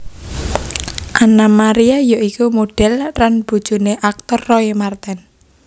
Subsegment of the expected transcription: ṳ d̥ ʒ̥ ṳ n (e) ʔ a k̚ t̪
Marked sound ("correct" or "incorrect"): correct